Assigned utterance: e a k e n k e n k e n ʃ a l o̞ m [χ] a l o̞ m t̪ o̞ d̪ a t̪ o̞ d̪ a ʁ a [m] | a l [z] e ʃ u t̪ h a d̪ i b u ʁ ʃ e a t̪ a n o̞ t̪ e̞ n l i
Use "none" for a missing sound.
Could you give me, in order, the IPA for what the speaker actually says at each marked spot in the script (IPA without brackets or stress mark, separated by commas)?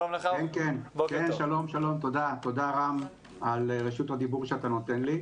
ʃ, m, ʁ